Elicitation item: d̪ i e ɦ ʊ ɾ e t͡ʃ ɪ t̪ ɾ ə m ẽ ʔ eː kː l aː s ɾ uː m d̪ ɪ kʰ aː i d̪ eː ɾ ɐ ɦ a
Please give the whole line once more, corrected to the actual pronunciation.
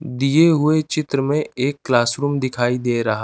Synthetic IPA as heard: d̪ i e ɦ ʊ e t͡ʃ ɪ t̪ ɾ ə m ẽ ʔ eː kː l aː s ɾ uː m d̪ ɪ kʰ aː i d̪ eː ɾ ɐ ɦ a